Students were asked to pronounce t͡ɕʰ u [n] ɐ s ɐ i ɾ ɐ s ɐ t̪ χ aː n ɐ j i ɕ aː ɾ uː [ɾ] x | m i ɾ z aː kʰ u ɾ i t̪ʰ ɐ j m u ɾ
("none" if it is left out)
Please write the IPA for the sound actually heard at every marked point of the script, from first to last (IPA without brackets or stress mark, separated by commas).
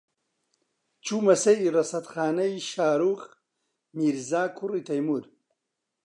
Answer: m, none